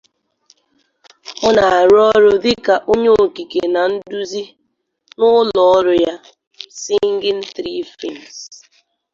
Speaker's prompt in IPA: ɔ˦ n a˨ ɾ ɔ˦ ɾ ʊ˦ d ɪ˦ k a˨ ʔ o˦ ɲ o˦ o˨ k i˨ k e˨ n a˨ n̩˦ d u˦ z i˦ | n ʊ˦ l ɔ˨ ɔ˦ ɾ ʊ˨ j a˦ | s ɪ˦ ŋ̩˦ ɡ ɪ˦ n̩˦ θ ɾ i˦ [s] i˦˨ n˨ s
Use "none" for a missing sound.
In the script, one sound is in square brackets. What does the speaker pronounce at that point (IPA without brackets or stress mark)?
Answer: f